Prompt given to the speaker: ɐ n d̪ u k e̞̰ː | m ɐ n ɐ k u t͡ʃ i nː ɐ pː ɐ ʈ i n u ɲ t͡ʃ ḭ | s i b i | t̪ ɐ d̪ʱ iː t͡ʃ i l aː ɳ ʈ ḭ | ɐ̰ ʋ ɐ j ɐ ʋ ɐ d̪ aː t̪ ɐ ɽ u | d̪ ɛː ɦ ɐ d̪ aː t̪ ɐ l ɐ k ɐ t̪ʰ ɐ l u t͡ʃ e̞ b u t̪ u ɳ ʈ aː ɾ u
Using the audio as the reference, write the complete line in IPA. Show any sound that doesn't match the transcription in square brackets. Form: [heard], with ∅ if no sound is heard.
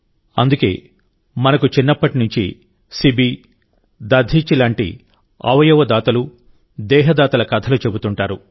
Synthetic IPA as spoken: ɐ n d̪ u k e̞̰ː | m ɐ n ɐ k u t͡ʃ i nː ɐ pː ɐ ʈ i n u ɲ t͡ʃ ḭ | s i b i | [d̪] ɐ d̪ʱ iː t͡ʃ i l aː ɳ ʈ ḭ | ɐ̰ ʋ ɐ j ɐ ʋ ɐ d̪ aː t̪ ɐ [l] u | d̪ ɛː ɦ ɐ d̪ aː t̪ ɐ l ɐ k ɐ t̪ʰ ɐ l u t͡ʃ e̞ b u t̪ u ɳ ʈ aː ɾ u